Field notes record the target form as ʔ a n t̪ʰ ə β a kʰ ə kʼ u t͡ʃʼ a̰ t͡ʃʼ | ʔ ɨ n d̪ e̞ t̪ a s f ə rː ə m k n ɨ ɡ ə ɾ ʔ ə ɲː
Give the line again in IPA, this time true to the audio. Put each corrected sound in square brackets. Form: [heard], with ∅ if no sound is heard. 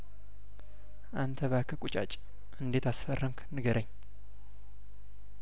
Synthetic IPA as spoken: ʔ a n t̪ʰ ə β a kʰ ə kʼ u t͡ʃʼ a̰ t͡ʃʼ | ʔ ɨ n d̪ e̞ t̪ a s f ə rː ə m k n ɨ ɡ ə ɾ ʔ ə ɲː

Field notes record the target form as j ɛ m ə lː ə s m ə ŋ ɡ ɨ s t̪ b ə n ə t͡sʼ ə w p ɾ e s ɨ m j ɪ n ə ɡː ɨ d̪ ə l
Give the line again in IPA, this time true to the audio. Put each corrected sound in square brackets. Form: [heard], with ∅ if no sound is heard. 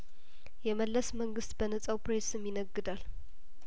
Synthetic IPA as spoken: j ɛ m ə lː ə s m ə ŋ ɡ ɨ s t̪ b ə n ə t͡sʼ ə w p ɾ e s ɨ m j ɪ n ə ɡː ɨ d̪ [a] l

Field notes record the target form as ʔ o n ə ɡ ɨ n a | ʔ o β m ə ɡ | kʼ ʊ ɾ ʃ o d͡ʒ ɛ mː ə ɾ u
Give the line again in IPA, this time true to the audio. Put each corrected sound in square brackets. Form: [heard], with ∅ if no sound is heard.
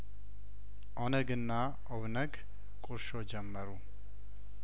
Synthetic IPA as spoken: ʔ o n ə ɡ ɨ [nː] a | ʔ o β [n] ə ɡ | kʼ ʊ ɾ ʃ o d͡ʒ ɛ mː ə ɾ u

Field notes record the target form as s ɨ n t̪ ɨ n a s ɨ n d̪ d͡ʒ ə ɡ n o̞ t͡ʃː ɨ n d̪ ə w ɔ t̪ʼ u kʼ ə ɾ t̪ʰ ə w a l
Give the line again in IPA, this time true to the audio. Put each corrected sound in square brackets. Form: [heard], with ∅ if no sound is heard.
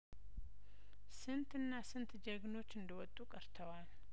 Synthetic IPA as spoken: s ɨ n t̪ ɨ [nː] a s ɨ n [t̪] d͡ʒ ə ɡ n o̞ t͡ʃː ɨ n d̪ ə w ɔ t̪ʼ u kʼ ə ɾ t̪ʰ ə w a l

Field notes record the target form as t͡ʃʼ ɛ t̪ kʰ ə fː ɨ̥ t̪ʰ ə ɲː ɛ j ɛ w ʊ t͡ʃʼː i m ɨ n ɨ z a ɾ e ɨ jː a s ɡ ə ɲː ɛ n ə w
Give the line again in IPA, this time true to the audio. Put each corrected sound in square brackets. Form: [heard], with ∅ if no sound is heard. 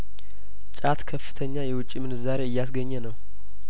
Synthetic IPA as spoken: t͡ʃʼ [a] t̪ kʰ ə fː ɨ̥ t̪ʰ ə ɲː [a] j ɛ w ʊ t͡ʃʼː i m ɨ n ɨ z a ɾ e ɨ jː a s ɡ ə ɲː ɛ n ə w

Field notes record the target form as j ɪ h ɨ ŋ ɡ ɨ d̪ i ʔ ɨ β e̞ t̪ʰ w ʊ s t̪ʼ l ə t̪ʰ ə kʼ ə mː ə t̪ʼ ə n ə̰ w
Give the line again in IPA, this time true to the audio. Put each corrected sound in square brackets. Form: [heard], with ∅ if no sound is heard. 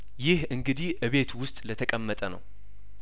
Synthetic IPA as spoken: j ɪ h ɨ ŋ ɡ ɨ d̪ i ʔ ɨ β e̞ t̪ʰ w ʊ s t̪ʼ l ə t̪ʰ ə kʼ ə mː ə t̪ʼ ə n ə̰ w

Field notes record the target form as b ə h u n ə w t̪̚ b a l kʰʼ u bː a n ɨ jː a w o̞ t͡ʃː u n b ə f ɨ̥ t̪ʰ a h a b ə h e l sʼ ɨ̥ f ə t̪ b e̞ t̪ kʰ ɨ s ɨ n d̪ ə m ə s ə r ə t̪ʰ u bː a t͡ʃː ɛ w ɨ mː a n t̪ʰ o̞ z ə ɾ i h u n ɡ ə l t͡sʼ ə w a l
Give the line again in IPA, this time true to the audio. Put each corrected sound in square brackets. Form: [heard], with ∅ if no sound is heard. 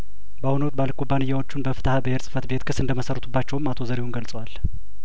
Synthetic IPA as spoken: b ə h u n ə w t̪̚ b a l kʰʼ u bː a n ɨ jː a w o̞ t͡ʃː u n b ə f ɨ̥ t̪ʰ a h a b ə h e [ɾ] sʼ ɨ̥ f ə t̪ b e̞ t̪ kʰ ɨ s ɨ n d̪ ə m ə s ə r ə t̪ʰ u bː a t͡ʃː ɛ w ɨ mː a [∅] t̪ʰ o̞ z ə ɾ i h u n ɡ ə l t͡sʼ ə w a l

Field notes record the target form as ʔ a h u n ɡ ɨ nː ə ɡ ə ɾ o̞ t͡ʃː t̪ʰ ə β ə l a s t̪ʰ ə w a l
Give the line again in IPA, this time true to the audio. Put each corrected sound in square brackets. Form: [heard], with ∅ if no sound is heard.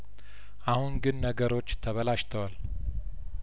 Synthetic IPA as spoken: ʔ a h u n ɡ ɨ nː ə ɡ ə ɾ o̞ t͡ʃː t̪ʰ ə β ə l a [ʃ] t̪ʰ ə w a l

